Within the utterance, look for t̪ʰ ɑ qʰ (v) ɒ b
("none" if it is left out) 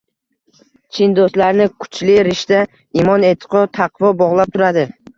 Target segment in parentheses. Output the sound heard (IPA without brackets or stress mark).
v